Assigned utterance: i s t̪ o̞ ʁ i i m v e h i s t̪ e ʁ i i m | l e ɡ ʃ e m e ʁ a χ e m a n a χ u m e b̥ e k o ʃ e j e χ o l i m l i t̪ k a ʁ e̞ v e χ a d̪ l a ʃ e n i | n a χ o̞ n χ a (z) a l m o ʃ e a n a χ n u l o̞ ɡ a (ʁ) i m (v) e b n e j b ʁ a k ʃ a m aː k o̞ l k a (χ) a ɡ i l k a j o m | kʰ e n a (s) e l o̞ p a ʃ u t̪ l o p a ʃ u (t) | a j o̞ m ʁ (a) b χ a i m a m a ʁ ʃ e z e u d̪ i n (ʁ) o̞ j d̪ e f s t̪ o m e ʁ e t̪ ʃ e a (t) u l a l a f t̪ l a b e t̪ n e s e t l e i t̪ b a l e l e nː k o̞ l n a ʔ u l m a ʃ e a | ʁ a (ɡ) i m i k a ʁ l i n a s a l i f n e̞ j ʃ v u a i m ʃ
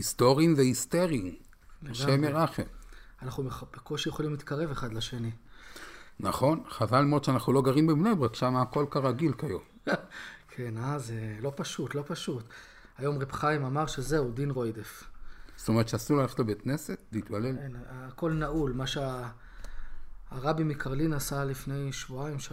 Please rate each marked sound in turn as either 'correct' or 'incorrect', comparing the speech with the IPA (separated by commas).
incorrect, correct, incorrect, incorrect, incorrect, correct, incorrect, correct, incorrect, incorrect